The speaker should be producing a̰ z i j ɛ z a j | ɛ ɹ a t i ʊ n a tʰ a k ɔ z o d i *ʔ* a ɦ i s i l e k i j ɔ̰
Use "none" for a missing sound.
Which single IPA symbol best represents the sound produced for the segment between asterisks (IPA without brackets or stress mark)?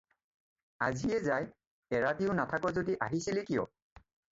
ʔ